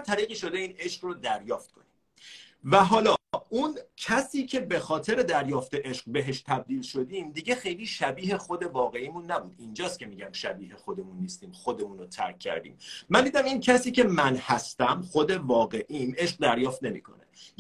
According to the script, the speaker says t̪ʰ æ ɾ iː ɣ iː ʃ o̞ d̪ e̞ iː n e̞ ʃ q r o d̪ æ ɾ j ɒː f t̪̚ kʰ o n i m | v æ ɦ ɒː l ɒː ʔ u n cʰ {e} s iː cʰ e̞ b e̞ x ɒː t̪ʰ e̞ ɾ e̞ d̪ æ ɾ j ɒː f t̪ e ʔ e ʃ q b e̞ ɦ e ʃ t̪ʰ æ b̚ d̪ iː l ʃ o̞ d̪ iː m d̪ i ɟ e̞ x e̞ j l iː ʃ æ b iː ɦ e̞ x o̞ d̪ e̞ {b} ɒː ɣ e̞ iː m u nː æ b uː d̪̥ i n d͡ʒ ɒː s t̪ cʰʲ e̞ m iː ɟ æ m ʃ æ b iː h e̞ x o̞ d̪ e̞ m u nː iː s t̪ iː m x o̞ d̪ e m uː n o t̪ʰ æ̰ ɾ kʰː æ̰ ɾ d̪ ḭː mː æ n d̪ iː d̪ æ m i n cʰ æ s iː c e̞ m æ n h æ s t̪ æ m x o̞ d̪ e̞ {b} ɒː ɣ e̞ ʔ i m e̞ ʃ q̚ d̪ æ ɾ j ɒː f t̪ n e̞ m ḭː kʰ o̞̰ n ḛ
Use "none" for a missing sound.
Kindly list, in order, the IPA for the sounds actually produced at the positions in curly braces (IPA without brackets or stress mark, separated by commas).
æ, v, v